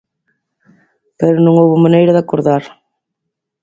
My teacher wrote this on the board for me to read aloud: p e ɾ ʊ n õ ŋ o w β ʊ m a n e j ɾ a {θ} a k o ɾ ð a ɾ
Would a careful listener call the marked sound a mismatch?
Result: yes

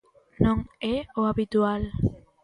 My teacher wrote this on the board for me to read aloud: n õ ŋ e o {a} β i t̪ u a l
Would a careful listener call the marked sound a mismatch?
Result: no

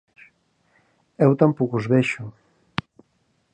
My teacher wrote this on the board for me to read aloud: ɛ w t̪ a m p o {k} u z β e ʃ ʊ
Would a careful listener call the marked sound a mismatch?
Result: no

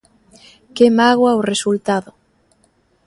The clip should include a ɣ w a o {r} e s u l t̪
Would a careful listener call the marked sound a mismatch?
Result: no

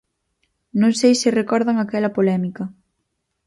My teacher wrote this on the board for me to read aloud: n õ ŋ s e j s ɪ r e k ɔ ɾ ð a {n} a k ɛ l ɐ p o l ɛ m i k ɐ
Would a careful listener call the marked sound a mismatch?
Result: yes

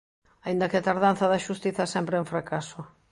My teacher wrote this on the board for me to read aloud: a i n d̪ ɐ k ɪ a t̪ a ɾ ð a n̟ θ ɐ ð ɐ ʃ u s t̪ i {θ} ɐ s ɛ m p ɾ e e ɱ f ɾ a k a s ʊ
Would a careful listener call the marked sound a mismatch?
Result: no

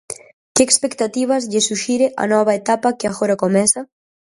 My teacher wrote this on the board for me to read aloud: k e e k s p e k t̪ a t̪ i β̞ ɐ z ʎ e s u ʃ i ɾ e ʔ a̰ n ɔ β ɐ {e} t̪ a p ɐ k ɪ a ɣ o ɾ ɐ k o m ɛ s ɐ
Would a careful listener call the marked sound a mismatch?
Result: no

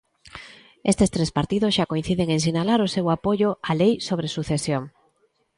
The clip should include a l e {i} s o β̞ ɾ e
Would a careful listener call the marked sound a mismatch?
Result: yes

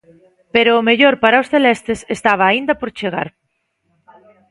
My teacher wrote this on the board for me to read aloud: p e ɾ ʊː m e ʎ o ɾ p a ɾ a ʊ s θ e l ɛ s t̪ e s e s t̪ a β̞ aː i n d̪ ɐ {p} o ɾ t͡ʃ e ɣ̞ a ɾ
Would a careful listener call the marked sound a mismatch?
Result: no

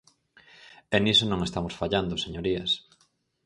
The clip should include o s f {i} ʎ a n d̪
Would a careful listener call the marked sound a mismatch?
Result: yes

